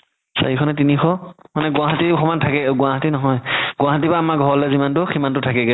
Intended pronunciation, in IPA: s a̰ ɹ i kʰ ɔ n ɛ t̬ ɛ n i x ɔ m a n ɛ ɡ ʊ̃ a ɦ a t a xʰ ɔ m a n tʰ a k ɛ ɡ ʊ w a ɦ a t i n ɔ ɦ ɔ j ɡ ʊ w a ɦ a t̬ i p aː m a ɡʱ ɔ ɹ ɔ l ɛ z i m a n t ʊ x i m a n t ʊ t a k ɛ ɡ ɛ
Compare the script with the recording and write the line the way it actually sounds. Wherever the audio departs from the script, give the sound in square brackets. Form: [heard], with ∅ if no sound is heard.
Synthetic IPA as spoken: s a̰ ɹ i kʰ ɔ n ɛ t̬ [i] n i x ɔ m a n ɛ ɡ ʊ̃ a ɦ a t [i] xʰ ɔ m a n tʰ a k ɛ ɡ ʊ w a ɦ a t i n ɔ ɦ ɔ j ɡ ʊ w a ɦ a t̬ i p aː m a ɡʱ ɔ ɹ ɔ l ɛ z i m a n t ʊ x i m a n t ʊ [tʰ] a k ɛ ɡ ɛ

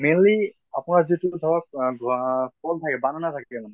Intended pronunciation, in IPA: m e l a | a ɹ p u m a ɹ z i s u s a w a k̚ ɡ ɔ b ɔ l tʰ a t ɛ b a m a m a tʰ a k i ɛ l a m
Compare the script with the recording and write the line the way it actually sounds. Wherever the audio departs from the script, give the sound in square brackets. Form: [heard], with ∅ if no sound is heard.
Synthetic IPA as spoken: m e l [i] | a [∅] p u [n] a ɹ z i [t] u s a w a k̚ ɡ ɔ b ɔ l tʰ a [k] ɛ b a [n] a [n] a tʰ a k [ɛ] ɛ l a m

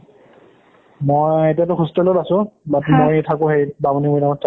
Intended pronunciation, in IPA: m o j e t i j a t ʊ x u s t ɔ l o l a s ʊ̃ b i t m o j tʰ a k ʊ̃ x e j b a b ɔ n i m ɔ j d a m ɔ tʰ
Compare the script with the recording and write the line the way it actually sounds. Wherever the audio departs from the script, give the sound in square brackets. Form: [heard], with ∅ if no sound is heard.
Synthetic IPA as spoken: m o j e t i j a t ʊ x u s t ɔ l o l a s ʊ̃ b [a] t m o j tʰ a k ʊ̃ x e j b a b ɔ n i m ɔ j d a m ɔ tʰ

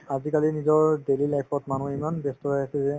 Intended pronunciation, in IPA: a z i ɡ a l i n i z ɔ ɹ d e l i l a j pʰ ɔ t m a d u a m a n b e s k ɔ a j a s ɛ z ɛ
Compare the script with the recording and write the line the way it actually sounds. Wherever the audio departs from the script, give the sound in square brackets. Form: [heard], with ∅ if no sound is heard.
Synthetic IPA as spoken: a z i [k] a l i n i z ɔ ɹ d e l i l a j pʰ ɔ t m a [n] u [i] m a n b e s [t] ɔ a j a s ɛ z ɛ

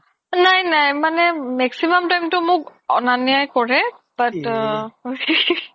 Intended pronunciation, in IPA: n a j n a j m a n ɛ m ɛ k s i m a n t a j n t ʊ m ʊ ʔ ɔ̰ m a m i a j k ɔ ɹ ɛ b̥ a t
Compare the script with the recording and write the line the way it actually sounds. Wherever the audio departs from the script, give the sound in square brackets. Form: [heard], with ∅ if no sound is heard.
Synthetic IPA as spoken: n a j n a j m a n ɛ m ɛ k s i m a [m] t a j [m] t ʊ m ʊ [k] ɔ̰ [n] a [n] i a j k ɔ ɹ ɛ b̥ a t

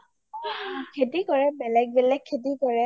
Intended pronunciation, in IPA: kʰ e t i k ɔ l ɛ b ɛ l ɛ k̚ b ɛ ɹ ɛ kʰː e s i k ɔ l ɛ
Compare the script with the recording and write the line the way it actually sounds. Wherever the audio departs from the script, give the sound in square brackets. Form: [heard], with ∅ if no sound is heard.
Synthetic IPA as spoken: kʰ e t i k ɔ [ɹ] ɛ b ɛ l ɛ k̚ b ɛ [l] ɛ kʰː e [t] i k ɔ [ɹ] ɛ

